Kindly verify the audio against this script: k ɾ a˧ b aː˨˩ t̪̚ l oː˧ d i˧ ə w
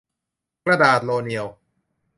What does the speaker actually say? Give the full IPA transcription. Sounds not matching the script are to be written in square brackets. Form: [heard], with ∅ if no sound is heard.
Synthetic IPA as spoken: k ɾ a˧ [d] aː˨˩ t̪̚ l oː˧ [n] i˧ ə w